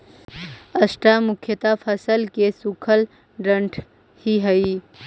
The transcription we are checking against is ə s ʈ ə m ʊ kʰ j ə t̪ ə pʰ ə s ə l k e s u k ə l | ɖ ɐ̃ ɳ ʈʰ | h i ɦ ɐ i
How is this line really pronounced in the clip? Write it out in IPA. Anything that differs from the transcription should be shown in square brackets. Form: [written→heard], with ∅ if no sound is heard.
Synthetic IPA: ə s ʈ [ə→a] m ʊ kʰ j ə t̪ [ə→a] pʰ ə s ə l k e s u [k→kʰ] ə l | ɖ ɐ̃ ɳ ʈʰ | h i ɦ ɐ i